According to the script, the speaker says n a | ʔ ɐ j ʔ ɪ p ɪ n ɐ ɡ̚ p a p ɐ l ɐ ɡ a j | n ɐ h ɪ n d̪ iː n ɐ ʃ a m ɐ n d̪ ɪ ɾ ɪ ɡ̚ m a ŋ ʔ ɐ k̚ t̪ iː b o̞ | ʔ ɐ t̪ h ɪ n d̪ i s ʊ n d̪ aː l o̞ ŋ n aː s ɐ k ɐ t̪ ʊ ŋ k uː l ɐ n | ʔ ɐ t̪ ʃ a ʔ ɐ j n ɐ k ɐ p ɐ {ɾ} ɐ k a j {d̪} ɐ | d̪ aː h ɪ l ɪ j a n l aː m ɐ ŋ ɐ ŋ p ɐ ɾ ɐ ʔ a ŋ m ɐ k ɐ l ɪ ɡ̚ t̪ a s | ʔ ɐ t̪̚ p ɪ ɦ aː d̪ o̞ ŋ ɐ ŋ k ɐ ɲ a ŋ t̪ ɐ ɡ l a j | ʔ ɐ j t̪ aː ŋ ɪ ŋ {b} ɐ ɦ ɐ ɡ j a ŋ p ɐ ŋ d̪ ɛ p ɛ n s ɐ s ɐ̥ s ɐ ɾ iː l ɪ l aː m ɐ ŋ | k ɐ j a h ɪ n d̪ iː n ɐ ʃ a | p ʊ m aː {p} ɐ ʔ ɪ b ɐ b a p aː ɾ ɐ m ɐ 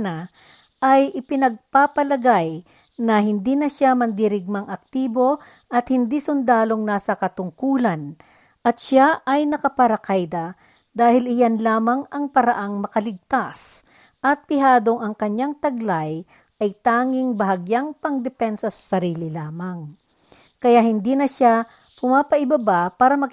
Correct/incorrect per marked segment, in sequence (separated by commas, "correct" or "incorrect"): correct, correct, correct, correct